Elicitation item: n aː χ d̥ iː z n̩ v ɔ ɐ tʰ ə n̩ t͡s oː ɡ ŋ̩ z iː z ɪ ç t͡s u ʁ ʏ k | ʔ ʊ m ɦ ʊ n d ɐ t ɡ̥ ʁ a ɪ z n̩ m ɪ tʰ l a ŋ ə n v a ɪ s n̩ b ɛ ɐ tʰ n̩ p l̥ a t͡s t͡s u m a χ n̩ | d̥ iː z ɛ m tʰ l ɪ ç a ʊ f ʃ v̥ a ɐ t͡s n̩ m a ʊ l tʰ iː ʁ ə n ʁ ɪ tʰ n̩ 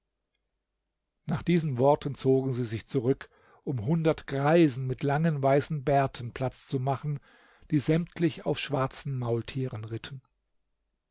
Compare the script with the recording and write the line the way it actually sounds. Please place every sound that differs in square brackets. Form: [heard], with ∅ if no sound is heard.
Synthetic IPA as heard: n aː χ d̥ iː z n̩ v ɔ ɐ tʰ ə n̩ t͡s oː ɡ ŋ̩ z iː z ɪ ç t͡s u ʁ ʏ k | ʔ ʊ m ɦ ʊ n d ɐ t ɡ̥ ʁ a ɪ z n̩ m ɪ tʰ l a ŋ ə n v a ɪ s n̩ b ɛ ɐ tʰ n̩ p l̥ a t͡s t͡s u m a χ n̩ | d̥ iː z ɛ m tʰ l ɪ ç a ʊ f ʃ v̥ a ɐ t͡s n̩ m a ʊ l tʰ iː ʁ ə n ʁ ɪ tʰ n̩